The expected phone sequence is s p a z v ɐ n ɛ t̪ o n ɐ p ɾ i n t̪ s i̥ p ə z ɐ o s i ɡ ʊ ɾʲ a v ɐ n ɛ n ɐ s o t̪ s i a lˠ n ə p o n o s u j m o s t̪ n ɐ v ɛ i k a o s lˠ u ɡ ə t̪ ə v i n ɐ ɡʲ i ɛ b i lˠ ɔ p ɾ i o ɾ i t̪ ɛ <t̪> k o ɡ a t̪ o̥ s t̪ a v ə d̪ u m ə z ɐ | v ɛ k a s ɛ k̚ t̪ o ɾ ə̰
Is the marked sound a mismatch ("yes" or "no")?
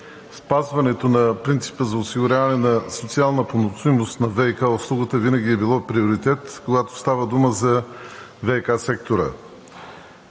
no